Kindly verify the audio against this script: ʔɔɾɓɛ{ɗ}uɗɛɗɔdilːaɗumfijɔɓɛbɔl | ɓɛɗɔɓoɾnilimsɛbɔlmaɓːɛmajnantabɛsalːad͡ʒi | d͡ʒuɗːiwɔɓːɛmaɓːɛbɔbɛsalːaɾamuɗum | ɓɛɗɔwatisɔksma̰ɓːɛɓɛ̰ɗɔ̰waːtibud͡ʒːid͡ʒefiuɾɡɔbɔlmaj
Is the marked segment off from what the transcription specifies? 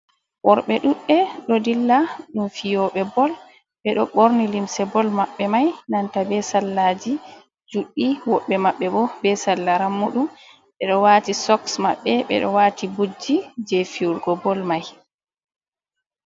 no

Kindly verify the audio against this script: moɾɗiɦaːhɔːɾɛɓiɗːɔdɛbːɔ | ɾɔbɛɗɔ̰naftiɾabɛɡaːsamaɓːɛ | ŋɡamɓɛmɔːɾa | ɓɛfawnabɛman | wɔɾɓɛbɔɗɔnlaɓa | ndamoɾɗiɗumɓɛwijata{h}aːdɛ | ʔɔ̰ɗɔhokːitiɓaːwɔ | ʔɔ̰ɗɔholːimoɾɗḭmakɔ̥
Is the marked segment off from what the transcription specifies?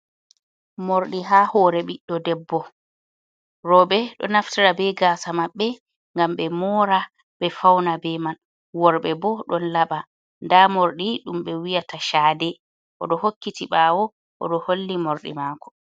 yes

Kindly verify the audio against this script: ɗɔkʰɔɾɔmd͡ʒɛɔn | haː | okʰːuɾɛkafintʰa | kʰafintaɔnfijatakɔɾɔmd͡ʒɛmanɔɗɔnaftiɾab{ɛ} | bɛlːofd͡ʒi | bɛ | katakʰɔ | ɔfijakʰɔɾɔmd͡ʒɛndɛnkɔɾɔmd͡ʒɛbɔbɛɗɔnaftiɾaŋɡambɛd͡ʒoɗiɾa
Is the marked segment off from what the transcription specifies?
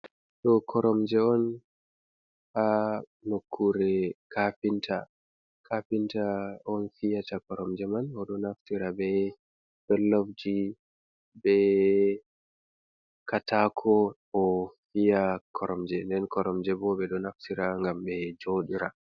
no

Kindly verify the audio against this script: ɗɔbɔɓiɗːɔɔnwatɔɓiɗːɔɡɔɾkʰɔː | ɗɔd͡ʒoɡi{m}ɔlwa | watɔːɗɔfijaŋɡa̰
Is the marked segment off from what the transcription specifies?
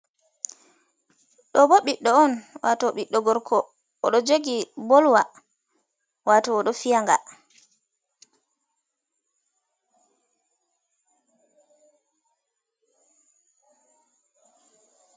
yes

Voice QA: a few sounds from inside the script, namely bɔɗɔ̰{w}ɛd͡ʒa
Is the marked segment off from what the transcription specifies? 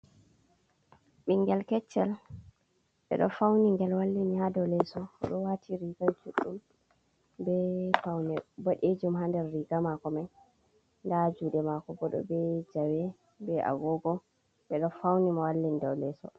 yes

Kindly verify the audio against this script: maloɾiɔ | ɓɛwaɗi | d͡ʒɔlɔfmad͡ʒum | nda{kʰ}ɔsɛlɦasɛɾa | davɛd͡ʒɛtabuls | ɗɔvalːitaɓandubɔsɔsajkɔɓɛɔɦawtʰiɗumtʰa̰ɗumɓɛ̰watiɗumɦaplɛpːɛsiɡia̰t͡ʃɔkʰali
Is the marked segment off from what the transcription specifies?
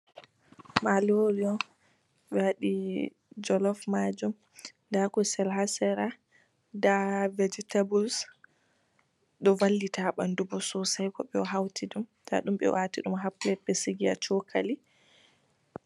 yes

